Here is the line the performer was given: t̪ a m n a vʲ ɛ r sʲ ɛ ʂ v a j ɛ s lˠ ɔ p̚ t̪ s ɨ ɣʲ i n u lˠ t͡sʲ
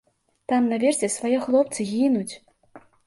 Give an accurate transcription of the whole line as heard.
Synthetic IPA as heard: t̪ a m n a vʲ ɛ r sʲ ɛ s v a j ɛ x lˠ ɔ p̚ t̪ s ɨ ɣʲ i n u t͡sʲ